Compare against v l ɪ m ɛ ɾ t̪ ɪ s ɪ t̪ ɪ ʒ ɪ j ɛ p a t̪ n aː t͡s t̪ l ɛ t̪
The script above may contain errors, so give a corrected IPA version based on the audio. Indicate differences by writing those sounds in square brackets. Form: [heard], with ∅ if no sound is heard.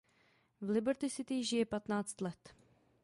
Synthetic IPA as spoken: v l ɪ [b] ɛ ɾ t̪ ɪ s ɪ t̪ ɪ ʒ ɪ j ɛ p a t̪ n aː t͡s t̪ l ɛ t̪